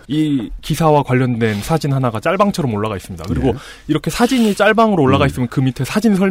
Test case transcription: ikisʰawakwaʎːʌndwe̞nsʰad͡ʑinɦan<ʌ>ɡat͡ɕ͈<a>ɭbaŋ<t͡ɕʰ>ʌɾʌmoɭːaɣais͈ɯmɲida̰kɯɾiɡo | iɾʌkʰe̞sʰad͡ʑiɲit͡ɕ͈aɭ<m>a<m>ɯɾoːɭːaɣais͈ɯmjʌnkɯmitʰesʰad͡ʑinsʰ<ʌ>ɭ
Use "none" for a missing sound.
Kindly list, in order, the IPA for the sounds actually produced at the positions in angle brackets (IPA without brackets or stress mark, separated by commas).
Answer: a, a, t͡ɕʰ, b, ŋ, ʌ